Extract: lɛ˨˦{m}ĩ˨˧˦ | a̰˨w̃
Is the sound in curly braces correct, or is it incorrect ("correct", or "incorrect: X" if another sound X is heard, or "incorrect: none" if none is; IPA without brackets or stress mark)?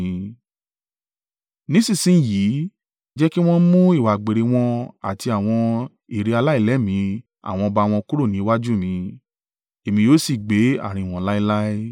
correct